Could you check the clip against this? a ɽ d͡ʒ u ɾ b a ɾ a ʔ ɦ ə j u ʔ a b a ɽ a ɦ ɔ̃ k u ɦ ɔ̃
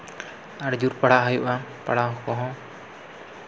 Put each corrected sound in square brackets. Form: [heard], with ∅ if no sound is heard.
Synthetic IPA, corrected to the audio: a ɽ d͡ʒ u ɾ [p] a [ɽ] a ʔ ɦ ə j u ʔ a [p] a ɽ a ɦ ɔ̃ k [ɔ] ɦ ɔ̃